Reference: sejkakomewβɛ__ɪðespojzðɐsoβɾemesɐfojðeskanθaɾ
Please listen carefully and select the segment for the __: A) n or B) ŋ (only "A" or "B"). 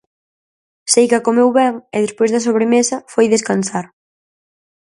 B